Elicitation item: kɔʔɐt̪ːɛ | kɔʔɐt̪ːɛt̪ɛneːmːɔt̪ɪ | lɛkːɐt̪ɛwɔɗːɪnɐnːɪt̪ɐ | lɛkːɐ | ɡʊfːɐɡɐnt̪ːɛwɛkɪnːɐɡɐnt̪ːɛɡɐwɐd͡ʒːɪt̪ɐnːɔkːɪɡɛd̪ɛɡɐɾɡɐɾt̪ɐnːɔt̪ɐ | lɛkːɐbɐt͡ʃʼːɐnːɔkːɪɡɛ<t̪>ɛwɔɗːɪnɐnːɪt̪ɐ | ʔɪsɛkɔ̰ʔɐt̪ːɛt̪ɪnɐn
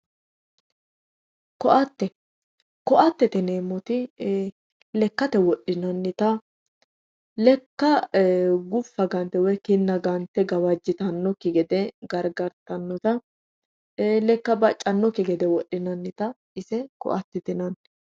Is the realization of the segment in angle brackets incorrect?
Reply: yes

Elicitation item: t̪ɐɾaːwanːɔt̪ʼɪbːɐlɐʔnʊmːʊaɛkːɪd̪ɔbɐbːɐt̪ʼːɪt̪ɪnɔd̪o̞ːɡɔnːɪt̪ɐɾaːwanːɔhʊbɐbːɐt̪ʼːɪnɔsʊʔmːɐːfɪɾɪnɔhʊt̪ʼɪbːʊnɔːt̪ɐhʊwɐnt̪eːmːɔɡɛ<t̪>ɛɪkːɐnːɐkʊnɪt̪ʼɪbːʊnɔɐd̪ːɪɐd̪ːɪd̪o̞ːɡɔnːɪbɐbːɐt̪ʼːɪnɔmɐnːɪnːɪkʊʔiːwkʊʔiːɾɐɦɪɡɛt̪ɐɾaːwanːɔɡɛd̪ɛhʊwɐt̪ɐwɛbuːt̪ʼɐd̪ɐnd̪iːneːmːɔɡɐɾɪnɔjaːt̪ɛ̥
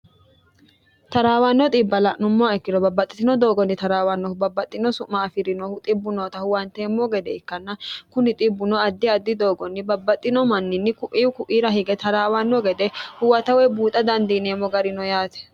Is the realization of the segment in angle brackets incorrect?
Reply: yes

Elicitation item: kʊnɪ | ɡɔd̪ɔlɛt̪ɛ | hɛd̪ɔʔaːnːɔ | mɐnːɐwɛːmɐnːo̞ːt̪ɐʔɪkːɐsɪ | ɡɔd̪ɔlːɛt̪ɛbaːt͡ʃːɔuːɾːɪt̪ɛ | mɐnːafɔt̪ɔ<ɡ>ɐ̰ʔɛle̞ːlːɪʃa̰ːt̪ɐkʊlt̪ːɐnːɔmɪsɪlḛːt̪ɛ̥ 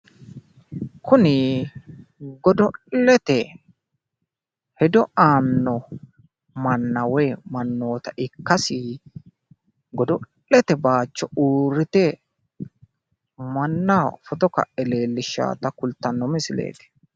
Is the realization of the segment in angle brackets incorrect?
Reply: yes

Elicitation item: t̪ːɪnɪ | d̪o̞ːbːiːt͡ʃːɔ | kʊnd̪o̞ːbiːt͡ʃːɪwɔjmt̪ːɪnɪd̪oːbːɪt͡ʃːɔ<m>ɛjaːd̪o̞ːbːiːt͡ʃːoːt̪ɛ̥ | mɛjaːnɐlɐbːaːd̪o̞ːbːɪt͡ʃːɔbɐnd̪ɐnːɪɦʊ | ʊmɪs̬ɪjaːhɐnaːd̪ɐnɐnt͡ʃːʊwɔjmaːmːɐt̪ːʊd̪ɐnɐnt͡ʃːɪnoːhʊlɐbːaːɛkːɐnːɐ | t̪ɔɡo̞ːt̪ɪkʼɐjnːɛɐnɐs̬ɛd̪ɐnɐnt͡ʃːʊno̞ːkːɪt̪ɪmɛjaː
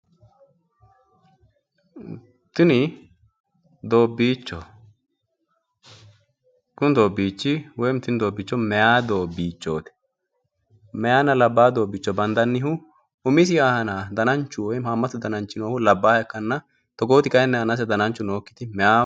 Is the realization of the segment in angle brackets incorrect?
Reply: no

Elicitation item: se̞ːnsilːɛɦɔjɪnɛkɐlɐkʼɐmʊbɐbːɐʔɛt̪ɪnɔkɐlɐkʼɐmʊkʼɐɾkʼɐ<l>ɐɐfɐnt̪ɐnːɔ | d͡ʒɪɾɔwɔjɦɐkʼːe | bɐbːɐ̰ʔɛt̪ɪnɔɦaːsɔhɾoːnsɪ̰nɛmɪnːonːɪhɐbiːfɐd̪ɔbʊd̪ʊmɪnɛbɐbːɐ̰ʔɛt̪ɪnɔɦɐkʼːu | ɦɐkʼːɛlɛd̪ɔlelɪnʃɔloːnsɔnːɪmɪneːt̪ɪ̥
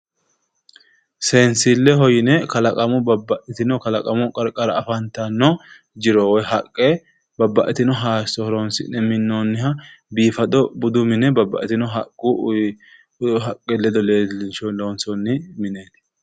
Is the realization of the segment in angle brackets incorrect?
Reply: yes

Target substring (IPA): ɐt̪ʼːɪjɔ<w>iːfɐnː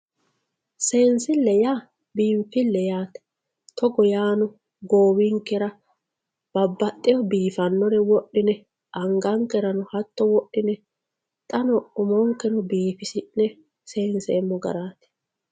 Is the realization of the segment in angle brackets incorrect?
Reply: yes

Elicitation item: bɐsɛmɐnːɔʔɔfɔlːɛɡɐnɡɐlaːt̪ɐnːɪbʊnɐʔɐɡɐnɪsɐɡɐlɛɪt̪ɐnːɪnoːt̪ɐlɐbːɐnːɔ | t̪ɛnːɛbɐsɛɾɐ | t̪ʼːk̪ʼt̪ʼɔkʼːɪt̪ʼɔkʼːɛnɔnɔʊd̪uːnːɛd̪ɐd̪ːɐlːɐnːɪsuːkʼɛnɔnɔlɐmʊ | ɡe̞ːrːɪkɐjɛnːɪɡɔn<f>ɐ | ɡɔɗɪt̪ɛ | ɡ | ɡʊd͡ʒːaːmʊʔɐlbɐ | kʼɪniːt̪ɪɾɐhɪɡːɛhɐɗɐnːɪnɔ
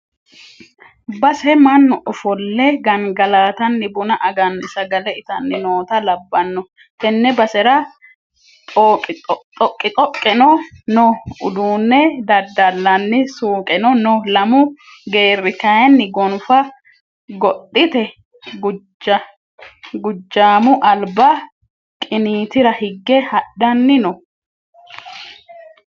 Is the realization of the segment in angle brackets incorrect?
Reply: no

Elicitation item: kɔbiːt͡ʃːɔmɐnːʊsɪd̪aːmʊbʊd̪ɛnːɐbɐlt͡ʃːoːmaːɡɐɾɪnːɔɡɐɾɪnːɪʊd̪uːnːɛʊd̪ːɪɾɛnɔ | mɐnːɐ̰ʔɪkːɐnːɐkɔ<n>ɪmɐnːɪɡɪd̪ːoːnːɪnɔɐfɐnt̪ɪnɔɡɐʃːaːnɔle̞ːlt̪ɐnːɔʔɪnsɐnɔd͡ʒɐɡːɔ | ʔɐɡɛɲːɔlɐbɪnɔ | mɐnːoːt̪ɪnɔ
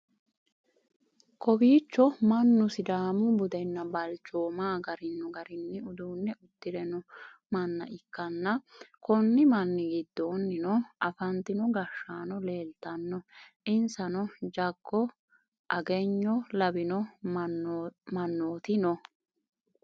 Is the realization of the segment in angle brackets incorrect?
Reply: yes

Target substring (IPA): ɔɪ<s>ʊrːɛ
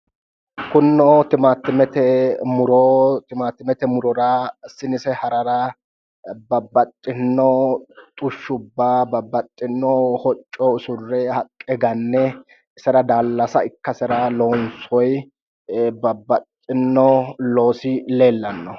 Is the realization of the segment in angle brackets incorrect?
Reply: no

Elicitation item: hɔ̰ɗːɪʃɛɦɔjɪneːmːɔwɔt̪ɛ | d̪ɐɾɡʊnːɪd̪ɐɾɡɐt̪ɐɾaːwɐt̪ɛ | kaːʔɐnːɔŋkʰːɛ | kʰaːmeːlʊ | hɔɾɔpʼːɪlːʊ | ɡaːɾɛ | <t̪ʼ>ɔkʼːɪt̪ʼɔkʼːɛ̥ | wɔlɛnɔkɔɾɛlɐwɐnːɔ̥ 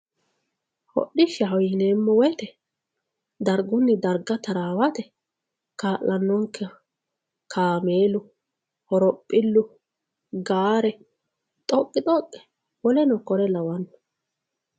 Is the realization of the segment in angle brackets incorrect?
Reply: no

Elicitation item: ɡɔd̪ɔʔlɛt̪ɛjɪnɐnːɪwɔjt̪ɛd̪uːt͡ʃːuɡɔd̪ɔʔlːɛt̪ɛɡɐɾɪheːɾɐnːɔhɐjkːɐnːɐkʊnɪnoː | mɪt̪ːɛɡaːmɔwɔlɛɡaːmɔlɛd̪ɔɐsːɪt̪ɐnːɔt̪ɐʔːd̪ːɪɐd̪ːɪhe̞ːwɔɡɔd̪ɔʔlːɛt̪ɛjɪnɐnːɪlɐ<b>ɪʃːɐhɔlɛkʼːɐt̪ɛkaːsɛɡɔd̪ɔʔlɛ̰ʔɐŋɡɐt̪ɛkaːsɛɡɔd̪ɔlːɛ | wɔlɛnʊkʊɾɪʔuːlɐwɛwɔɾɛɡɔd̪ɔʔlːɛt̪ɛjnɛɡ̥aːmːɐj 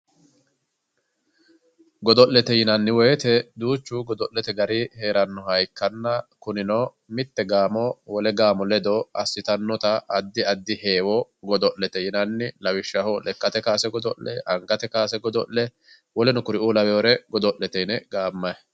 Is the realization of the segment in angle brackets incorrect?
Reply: yes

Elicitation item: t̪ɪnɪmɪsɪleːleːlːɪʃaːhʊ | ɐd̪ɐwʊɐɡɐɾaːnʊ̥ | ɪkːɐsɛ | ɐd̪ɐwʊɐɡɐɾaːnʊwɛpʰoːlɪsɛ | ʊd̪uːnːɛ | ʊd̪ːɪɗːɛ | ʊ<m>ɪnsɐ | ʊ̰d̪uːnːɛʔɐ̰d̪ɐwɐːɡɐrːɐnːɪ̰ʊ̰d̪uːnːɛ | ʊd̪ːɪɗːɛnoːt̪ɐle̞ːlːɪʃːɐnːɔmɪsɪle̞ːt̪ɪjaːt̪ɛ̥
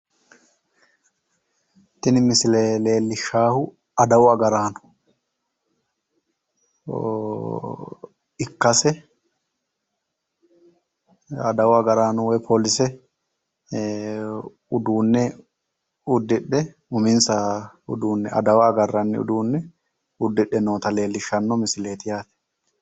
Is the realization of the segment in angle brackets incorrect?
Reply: no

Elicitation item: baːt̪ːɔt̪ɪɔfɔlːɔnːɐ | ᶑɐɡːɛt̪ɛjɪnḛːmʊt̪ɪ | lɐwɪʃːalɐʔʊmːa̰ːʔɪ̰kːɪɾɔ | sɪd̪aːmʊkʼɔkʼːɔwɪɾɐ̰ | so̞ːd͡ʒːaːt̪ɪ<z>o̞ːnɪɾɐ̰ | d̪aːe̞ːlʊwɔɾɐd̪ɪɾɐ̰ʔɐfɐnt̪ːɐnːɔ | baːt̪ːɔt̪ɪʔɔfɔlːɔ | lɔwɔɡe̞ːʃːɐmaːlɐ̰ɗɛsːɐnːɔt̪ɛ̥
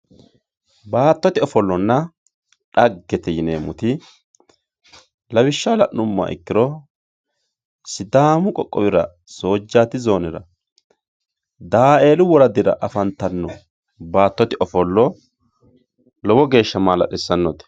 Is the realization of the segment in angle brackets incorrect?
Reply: no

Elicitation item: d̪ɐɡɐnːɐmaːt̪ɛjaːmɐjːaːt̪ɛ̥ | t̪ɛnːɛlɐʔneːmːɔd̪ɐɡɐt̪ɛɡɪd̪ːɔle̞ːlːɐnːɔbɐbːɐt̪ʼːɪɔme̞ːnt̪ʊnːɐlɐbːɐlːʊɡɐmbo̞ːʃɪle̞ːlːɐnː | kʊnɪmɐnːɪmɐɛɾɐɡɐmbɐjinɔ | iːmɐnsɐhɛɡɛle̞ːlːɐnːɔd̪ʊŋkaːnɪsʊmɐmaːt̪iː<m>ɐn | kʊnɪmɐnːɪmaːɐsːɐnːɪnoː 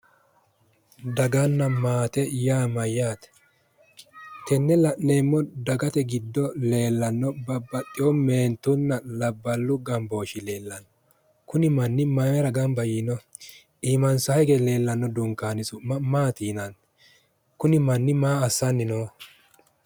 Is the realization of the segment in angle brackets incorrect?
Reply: yes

